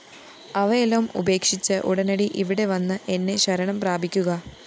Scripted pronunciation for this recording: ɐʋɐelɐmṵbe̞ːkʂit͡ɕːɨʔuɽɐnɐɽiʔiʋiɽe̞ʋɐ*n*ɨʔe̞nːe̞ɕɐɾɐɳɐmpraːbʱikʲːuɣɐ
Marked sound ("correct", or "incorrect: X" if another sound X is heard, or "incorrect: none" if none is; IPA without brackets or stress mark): incorrect: nː